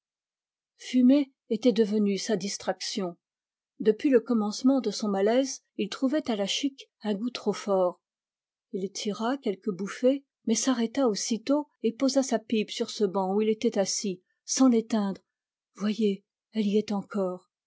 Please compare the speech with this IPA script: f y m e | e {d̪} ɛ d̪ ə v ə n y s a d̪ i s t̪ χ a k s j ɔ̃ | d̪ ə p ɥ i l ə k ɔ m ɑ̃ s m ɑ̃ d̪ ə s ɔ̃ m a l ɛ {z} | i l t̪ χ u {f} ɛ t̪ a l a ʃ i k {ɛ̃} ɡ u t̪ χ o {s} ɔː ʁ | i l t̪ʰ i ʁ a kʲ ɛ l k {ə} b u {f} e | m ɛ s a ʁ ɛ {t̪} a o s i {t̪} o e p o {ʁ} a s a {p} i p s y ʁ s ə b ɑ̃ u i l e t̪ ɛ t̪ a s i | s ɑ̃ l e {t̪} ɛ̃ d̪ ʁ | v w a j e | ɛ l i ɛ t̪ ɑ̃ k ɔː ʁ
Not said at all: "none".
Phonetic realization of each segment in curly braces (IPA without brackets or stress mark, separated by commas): t̪, z, v, ɛ̃, f, ə, f, t̪, t̪, z, p, t̪